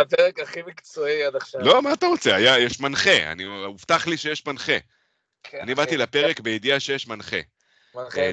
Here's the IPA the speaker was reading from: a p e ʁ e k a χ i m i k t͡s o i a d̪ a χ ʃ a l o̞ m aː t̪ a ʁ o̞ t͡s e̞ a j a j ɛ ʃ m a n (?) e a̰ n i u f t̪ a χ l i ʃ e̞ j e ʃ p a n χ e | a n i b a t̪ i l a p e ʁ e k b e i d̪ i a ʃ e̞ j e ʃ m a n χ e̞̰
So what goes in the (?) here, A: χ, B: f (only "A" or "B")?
A